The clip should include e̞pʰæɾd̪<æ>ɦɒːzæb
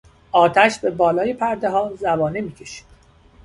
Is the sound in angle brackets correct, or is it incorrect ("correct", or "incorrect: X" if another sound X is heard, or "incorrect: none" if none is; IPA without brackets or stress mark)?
incorrect: e